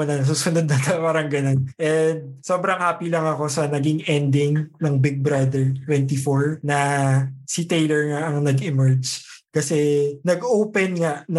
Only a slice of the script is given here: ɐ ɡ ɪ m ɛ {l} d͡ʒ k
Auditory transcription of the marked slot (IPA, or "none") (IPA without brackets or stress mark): ɹ